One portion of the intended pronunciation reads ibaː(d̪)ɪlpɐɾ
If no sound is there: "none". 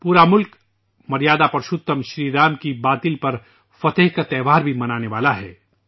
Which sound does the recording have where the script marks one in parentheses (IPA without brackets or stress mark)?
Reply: t̪